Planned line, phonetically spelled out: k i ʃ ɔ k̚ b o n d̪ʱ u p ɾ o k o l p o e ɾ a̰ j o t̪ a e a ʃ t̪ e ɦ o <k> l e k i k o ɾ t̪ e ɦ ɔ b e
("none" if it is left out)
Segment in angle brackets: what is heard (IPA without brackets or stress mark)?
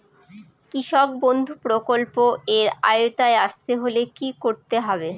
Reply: none